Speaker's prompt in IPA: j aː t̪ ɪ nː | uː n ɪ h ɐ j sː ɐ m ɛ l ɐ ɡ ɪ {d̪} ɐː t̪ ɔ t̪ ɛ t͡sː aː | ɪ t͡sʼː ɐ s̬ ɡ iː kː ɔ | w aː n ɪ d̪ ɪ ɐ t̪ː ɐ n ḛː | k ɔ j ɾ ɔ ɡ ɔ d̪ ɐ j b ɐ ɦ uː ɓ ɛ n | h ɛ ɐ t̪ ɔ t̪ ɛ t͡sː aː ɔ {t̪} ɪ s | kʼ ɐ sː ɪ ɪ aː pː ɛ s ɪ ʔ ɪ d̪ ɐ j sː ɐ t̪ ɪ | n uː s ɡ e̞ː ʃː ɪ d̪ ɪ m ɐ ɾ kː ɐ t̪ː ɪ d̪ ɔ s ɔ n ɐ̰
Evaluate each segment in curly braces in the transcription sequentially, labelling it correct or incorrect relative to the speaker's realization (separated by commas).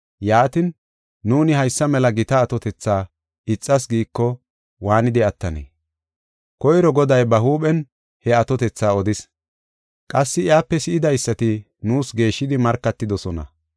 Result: incorrect, incorrect